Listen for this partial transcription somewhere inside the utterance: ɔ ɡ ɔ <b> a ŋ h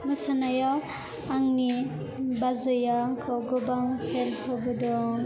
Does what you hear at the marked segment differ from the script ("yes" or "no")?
no